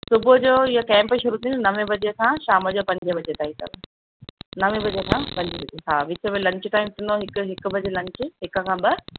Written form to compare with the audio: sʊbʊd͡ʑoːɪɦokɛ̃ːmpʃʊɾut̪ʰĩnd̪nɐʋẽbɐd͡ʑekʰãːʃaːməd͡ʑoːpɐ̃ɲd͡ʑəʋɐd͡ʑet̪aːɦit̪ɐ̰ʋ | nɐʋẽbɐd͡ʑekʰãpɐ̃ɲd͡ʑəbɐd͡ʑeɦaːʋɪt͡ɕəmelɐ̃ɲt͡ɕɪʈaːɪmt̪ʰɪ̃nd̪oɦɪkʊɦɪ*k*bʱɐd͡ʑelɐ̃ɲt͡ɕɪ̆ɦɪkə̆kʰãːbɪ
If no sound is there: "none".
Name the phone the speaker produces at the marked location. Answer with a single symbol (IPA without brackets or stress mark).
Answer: k